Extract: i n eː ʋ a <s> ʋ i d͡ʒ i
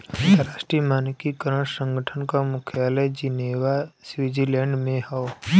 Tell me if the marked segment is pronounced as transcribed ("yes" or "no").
yes